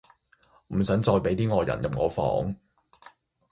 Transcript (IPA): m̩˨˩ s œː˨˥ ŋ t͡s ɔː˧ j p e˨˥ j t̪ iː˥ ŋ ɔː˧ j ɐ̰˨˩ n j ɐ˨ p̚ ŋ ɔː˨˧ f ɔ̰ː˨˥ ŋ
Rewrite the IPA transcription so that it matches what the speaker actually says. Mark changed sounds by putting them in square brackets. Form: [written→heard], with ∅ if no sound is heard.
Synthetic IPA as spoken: m̩˨˩ s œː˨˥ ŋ t͡s ɔː˧ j p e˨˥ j t̪ iː˥ ŋ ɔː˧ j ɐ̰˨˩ n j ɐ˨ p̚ ŋ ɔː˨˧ f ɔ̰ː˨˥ ŋ